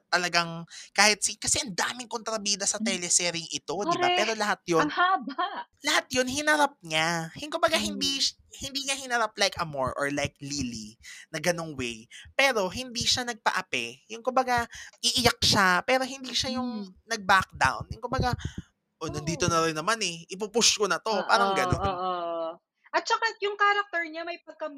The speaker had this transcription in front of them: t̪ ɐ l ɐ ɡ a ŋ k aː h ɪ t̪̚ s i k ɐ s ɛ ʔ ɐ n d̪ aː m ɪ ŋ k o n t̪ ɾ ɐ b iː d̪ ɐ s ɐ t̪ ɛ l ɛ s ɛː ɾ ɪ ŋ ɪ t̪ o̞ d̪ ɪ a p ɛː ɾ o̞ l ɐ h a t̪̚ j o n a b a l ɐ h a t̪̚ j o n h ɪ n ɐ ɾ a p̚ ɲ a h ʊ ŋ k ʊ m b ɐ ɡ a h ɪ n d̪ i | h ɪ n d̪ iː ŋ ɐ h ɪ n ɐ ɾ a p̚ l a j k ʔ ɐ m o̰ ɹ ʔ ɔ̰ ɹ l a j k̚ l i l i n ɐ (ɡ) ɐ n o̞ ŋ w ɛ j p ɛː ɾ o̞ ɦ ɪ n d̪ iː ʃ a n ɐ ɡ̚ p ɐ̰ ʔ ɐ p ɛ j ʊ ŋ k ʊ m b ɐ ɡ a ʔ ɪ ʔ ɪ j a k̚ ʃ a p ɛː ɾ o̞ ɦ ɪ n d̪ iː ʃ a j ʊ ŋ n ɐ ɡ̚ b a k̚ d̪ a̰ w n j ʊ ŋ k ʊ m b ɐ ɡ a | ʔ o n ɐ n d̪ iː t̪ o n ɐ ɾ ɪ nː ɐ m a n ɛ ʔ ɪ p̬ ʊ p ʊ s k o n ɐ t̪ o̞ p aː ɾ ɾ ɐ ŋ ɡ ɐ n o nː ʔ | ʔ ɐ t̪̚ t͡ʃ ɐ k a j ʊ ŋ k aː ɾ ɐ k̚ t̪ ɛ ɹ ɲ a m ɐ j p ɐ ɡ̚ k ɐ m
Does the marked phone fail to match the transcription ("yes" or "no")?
no